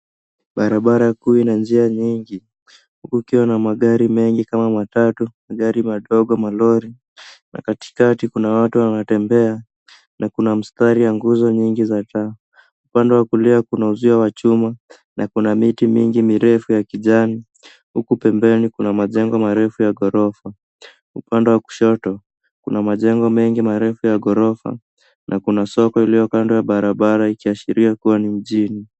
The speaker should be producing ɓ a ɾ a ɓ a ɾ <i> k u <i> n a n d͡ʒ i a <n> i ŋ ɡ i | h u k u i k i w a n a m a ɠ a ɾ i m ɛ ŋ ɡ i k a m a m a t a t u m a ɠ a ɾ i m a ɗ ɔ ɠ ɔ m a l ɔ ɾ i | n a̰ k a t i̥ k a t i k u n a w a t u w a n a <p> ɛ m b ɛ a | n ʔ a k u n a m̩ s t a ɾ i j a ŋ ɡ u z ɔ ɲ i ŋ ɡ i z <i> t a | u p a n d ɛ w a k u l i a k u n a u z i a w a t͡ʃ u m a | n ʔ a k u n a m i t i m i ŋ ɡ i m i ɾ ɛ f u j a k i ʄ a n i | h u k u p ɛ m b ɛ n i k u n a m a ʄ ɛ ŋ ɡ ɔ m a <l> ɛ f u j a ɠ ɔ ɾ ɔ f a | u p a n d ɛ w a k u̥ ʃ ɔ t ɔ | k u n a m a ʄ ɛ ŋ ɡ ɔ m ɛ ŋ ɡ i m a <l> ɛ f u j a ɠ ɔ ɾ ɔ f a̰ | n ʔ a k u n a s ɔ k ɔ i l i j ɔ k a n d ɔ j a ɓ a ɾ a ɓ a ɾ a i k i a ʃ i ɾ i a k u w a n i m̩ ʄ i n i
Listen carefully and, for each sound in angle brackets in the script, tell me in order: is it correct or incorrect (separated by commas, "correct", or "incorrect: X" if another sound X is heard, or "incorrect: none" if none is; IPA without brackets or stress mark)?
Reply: incorrect: a, correct, incorrect: ɲ, incorrect: t, incorrect: a, incorrect: ɾ, incorrect: ɾ